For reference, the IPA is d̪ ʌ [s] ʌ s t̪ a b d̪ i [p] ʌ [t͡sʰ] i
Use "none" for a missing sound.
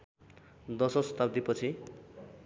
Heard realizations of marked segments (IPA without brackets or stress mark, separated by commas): s, p, t͡sʰ